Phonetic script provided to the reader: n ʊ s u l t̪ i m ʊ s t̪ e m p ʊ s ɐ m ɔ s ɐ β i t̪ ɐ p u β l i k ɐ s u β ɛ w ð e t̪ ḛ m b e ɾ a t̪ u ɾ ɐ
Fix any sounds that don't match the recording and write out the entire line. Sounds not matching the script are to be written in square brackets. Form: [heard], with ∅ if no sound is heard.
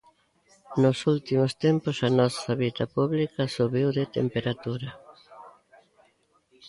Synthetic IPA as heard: n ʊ s u l t̪ i m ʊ s t̪ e m p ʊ s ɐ [n] ɔ s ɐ β i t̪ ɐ p u β l i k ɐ s u β [i] w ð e t̪ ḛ m [p] e ɾ a t̪ u ɾ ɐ